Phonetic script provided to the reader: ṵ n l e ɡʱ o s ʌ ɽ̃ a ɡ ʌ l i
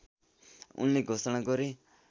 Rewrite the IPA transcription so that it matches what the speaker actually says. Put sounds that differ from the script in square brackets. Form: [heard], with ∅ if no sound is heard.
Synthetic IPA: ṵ n l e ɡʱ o s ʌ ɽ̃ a ɡ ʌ [ɾ] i